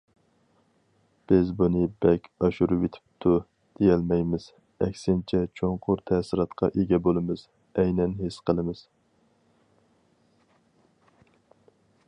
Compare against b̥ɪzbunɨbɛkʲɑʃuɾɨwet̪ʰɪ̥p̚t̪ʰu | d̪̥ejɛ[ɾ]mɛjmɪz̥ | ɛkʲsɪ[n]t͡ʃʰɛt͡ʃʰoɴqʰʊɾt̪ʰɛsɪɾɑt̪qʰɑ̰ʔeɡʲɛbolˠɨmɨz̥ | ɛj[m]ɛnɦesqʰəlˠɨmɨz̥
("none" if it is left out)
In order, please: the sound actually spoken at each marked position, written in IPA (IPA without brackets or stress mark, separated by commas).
l, n, n